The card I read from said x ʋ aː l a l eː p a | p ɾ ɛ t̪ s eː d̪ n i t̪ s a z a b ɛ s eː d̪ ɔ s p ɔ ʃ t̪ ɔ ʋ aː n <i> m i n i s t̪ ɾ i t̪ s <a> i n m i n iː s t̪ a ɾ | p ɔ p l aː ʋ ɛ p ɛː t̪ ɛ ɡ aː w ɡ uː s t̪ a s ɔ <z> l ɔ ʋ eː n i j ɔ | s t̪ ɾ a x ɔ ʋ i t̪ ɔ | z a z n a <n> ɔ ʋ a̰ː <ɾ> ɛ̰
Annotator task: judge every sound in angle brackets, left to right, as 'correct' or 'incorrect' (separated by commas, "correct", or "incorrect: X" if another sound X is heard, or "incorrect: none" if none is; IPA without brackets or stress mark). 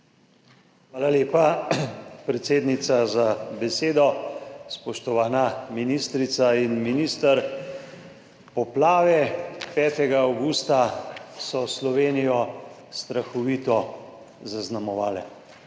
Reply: incorrect: a, correct, incorrect: s, incorrect: m, incorrect: l